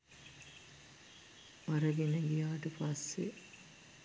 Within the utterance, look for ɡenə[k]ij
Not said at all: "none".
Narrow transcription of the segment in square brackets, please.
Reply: ɡ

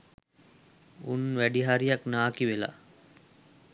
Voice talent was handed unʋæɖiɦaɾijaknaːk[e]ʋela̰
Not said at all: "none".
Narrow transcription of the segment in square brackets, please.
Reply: i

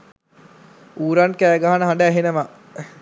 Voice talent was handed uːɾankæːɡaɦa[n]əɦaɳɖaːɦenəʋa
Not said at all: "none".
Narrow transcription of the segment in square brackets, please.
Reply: n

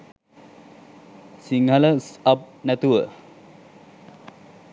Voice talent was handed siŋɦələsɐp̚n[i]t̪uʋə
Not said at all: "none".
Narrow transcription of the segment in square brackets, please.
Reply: æ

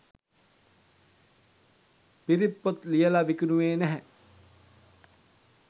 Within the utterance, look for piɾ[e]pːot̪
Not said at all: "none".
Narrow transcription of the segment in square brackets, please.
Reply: i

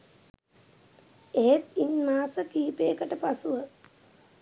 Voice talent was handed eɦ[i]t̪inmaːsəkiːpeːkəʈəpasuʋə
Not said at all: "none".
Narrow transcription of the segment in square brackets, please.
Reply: e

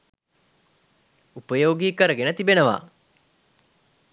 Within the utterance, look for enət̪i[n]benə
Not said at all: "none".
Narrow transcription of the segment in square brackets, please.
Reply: none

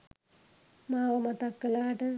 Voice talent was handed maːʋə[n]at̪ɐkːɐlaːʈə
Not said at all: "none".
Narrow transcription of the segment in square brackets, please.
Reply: m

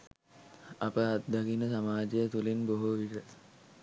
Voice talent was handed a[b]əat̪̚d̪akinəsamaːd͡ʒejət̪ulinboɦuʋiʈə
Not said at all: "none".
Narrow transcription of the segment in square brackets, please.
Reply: p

